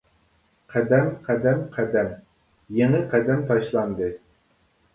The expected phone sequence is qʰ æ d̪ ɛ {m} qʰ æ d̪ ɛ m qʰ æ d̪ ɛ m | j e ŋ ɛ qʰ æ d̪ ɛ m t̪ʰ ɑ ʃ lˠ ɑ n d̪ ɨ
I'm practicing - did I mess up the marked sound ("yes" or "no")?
no